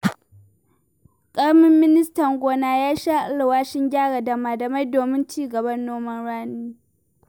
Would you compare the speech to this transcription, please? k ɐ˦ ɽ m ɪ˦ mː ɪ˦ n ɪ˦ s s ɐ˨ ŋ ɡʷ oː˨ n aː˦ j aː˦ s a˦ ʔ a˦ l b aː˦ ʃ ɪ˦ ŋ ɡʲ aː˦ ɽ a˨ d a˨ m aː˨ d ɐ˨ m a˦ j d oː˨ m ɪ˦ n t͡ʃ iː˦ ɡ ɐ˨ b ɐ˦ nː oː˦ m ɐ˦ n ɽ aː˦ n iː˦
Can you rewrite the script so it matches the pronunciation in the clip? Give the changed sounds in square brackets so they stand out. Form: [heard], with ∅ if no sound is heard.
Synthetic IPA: [kʼ] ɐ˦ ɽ m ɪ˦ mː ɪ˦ n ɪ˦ s [t] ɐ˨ ŋ ɡʷ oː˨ n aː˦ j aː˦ [ʃ] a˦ ʔ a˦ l [w] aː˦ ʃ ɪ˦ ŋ ɡʲ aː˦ ɽ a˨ d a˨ m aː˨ d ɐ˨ m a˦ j d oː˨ m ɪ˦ n t͡ʃ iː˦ ɡ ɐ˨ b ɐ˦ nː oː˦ m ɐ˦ n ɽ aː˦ n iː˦